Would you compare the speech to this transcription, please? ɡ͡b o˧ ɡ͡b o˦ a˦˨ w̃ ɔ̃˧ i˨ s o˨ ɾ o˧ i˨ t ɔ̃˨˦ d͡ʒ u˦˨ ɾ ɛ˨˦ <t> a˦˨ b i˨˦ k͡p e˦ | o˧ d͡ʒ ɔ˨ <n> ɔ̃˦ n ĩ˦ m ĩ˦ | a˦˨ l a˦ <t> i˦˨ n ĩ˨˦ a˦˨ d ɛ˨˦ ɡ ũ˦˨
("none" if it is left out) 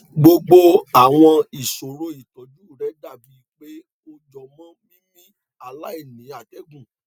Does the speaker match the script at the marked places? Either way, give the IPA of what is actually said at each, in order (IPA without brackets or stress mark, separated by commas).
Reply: d, m, none